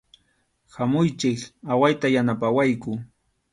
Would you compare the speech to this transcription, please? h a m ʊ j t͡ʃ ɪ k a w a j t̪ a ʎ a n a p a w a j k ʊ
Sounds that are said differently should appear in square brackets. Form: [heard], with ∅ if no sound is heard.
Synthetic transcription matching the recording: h a m ʊ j t͡ʃ ɪ k a w a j t̪ a [j] a n a p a w a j k ʊ